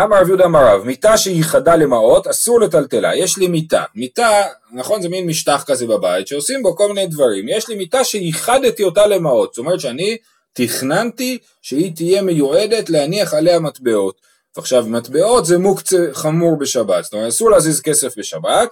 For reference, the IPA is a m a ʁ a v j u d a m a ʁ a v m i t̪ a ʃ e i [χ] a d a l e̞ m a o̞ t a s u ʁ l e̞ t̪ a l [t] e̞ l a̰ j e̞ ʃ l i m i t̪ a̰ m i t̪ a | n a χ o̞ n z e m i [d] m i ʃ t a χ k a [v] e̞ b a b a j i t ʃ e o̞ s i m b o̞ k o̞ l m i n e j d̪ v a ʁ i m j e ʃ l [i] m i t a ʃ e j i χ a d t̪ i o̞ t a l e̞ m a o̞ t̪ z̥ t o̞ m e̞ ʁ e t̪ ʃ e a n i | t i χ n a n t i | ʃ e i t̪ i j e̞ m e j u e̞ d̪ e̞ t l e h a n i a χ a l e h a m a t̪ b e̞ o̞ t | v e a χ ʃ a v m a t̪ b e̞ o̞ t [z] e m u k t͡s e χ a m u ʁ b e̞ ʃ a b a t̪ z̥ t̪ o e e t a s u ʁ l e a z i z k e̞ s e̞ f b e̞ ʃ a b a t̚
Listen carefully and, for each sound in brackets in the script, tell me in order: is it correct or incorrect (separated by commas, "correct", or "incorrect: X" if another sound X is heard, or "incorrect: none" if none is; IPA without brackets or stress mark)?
correct, correct, incorrect: n, incorrect: z, correct, correct